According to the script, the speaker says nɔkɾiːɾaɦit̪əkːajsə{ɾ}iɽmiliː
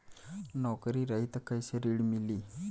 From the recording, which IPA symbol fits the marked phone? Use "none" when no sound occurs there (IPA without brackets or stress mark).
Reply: ɾ